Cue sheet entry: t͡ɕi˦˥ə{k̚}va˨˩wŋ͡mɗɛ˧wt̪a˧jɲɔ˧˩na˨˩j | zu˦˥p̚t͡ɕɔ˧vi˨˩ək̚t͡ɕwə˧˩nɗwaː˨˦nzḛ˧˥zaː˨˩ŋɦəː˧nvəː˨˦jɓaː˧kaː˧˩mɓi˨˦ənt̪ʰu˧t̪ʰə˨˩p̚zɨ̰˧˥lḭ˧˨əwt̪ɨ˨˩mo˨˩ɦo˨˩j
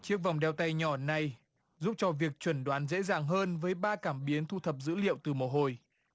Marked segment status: correct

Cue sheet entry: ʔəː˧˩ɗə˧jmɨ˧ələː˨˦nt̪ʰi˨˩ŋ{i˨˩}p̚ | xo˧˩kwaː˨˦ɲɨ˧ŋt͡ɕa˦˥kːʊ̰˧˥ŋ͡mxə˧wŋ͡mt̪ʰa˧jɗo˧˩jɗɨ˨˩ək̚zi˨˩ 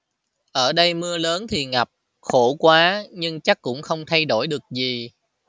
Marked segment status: incorrect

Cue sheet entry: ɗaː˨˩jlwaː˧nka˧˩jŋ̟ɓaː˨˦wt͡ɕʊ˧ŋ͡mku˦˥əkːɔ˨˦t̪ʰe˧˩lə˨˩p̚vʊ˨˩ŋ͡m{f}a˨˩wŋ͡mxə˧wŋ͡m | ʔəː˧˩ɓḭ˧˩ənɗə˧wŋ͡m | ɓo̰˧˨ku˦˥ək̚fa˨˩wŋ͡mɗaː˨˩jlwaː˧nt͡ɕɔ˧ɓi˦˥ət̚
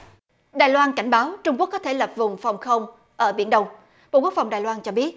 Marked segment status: correct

